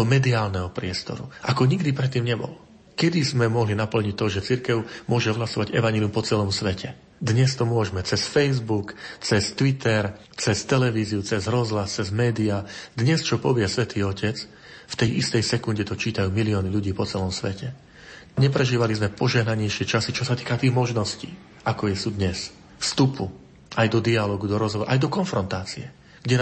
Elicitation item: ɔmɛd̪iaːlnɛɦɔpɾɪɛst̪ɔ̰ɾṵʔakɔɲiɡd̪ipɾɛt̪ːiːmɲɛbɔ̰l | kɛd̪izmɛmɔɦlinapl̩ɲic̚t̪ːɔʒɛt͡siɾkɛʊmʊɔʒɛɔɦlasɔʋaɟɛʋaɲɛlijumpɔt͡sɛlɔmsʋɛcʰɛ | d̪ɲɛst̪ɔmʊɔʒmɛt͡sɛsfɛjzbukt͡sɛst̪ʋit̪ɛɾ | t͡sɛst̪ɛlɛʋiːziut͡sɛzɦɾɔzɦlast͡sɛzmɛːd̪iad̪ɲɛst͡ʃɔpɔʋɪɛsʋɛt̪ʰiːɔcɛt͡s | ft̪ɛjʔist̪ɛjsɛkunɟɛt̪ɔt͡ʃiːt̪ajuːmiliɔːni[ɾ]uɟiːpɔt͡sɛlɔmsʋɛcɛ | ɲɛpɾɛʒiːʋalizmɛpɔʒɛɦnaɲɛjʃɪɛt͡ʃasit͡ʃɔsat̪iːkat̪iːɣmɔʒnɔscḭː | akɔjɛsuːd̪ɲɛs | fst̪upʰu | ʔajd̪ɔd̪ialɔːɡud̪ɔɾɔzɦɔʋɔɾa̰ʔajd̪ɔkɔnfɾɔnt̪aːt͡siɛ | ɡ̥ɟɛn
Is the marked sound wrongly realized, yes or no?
yes